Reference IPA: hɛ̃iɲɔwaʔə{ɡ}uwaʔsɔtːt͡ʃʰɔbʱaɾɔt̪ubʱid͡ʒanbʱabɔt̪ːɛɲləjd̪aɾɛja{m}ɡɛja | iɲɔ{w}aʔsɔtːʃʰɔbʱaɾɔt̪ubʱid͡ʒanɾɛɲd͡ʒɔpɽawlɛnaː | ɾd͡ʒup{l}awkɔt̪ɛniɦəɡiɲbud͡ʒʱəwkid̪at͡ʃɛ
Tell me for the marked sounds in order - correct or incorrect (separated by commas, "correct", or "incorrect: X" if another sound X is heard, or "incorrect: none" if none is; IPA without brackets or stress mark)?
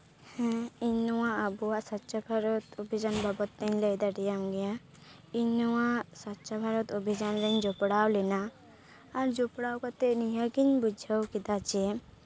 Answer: incorrect: b, correct, correct, incorrect: ɽ